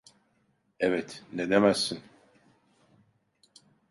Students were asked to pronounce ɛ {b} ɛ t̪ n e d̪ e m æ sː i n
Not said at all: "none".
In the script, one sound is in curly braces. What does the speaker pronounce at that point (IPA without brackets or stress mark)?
v